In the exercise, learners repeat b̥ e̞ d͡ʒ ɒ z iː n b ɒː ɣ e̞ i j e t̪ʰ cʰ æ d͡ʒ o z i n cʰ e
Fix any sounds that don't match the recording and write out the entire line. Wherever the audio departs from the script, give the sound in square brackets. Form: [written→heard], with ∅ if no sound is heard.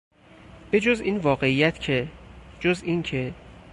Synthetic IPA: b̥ e̞ d͡ʒ [ɒ→o] z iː n [b→v] ɒː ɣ e̞ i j [e→æ] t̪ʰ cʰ [æ→e] d͡ʒ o z i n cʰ e